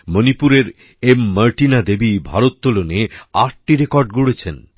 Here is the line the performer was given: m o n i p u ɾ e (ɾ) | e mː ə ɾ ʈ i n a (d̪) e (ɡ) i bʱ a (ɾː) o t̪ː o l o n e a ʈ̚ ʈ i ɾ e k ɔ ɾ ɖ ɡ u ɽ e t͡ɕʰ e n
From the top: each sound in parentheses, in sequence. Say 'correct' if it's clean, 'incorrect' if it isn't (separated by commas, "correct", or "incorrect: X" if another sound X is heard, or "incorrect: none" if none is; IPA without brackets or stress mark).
correct, correct, incorrect: b, incorrect: ɾ